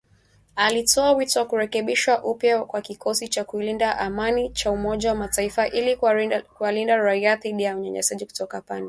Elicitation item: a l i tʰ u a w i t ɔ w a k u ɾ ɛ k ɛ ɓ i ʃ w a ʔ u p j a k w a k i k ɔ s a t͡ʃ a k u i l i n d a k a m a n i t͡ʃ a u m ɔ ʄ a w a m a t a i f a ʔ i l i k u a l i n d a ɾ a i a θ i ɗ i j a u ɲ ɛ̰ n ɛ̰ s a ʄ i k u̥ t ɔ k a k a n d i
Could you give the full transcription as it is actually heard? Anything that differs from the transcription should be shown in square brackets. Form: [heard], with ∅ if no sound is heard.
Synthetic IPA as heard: a l i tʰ [ɔ] a w i t ɔ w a k u ɾ ɛ k ɛ ɓ i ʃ w a ʔ u p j a k w a k i k ɔ s [i] t͡ʃ a k u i l i n d a [ʔ] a m a n i t͡ʃ a u m ɔ ʄ a w a m a t a i f a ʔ i l i k u a l i n d a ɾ a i a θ i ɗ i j a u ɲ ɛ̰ [ɲ] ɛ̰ s a ʄ i k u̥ t ɔ k a [p] a n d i